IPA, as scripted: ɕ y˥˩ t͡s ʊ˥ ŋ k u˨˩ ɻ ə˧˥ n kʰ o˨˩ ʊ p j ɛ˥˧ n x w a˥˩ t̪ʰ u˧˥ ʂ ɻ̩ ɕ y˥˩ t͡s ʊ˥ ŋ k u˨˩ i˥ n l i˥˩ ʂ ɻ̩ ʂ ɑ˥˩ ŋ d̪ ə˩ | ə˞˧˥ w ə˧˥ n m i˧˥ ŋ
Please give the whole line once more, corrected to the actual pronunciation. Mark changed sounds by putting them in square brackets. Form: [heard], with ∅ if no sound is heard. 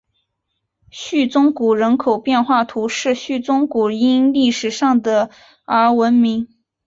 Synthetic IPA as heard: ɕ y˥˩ t͡s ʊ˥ ŋ k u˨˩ ɻ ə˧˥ n kʰ o˨˩ ʊ p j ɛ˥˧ n x w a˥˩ t̪ʰ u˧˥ ʂ ɻ̩ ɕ y˥˩ t͡s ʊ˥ ŋ k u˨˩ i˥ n l i˥˩ ʂ ɻ̩ ʂ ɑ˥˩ ŋ d̪ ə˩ | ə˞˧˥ w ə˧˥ n m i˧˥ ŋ